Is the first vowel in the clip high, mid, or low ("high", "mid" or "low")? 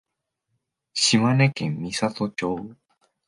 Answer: high